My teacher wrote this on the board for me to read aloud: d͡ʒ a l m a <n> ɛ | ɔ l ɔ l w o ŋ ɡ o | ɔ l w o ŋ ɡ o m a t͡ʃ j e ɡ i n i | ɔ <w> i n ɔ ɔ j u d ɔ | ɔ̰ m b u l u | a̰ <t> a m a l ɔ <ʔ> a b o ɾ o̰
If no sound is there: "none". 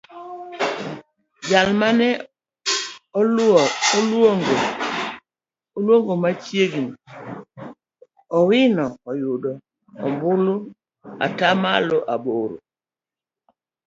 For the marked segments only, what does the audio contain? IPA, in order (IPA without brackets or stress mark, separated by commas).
n, w, t, ʔ